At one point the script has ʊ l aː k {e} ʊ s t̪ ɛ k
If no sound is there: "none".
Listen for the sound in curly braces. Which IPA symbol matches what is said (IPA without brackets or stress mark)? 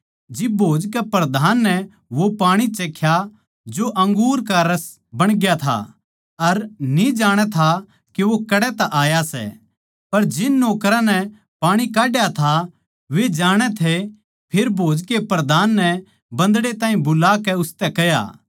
ɛ